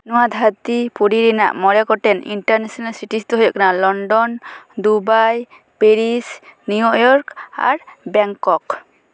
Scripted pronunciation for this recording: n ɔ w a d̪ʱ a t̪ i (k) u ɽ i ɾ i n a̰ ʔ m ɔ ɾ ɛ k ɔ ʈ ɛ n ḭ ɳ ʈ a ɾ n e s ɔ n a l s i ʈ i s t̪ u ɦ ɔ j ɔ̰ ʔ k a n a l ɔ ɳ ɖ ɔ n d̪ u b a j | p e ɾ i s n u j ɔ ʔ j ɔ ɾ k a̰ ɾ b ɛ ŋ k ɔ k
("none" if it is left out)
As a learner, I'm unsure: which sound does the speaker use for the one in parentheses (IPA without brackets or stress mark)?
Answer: p